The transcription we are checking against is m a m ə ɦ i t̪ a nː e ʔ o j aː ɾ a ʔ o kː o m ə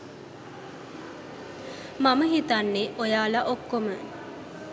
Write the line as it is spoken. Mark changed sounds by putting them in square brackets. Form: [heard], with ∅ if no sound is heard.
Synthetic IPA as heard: m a m ə ɦ i t̪ a nː e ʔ o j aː [l] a ʔ o kː o m ə